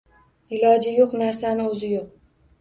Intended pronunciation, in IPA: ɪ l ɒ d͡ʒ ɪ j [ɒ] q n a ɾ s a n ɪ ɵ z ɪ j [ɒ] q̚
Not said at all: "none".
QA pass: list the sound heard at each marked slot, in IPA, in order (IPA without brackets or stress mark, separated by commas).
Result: o, o